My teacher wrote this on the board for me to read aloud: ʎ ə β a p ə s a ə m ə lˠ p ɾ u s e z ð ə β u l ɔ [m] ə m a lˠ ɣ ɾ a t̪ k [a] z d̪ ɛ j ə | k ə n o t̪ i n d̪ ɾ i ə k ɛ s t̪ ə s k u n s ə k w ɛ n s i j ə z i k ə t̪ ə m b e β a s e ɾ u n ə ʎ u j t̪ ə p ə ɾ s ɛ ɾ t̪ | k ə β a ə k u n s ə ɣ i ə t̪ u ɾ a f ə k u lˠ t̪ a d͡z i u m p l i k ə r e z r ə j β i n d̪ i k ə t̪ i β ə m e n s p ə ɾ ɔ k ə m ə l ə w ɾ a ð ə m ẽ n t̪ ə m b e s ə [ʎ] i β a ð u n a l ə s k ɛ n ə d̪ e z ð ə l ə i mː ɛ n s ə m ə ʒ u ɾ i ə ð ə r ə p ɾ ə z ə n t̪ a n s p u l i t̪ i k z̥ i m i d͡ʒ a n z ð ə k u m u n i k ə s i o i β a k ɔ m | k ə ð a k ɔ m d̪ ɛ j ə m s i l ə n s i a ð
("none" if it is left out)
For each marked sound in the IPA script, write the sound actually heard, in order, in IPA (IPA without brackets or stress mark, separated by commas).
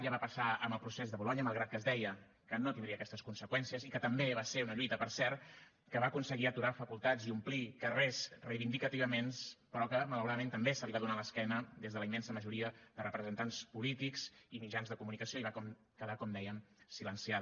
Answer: ɲ, ə, l